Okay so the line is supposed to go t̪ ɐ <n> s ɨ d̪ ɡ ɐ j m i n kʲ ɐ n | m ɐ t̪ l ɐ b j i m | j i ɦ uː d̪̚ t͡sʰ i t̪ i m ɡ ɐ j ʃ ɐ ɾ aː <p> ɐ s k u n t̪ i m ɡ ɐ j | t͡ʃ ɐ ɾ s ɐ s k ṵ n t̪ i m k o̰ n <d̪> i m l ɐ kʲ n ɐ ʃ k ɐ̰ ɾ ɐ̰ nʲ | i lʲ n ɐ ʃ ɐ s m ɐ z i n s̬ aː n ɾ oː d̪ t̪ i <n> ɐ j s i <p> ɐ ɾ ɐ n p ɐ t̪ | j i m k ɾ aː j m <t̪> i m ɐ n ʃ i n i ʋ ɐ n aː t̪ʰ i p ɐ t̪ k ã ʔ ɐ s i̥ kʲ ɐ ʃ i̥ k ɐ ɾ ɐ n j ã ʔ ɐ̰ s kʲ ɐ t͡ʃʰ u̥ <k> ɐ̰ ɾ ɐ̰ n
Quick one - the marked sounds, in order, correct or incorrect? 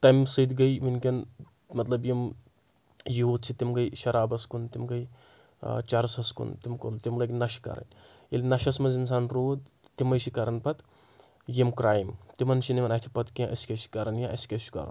incorrect, incorrect, incorrect, incorrect, incorrect, correct, correct

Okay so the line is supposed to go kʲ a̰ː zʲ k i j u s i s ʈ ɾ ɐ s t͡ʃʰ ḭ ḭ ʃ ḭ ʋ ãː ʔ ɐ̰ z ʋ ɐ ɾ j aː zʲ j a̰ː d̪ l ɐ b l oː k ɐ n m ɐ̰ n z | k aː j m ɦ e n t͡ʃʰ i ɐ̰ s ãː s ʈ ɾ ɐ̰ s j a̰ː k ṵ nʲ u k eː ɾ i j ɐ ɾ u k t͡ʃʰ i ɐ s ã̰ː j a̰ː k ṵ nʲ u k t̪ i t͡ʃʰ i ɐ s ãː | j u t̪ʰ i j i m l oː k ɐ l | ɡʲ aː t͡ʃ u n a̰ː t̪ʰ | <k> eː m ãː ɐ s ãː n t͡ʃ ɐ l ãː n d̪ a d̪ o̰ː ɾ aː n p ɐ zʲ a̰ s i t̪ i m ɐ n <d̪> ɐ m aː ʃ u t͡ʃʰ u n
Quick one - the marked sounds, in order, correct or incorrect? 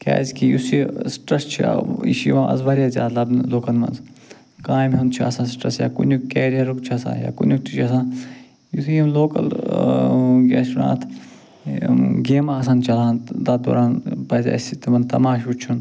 incorrect, incorrect

